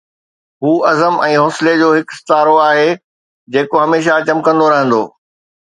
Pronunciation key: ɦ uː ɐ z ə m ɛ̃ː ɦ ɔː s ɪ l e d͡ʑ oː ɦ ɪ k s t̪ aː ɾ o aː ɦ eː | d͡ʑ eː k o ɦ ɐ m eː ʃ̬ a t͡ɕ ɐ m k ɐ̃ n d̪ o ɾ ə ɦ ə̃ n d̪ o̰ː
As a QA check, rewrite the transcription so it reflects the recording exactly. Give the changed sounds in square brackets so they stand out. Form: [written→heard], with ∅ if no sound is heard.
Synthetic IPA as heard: ɦ uː ɐ z ə m ɛ̃ː ɦ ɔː s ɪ l e d͡ʑ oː ɦ ɪ k s t̪ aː ɾ o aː ɦ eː | d͡ʑ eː k o ɦ ɐ m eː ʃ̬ a t͡ɕ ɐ m k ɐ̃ n d̪ o ɾ [ə→ɐ] ɦ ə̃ n d̪ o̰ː